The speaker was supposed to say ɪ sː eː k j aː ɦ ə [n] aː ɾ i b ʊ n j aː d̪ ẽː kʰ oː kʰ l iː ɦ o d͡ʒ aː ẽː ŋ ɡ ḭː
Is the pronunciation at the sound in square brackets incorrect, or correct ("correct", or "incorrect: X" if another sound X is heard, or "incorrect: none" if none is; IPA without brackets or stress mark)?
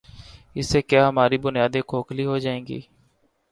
incorrect: m